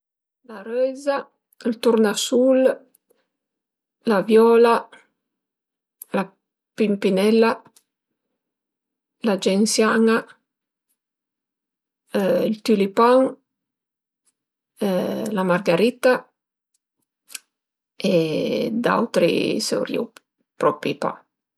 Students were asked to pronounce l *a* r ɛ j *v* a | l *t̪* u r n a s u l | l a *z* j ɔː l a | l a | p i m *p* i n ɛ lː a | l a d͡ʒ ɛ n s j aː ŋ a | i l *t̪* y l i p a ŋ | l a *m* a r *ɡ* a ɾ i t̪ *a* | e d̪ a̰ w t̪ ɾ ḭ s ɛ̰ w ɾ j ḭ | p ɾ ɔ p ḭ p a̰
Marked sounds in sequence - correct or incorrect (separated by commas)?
correct, incorrect, correct, incorrect, correct, correct, correct, correct, correct